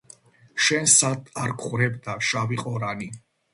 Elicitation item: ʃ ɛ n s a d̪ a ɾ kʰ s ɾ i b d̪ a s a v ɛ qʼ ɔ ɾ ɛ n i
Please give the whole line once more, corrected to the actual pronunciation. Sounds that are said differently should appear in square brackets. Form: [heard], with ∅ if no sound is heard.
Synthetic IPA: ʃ ɛ n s a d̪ a ɾ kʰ [χ] ɾ [ɛ] b d̪ a [ʃ] a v [i] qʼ ɔ ɾ [a] n i